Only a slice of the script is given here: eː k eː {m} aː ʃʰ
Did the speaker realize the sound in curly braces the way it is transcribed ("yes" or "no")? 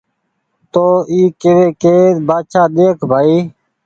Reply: no